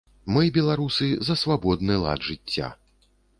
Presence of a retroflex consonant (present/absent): present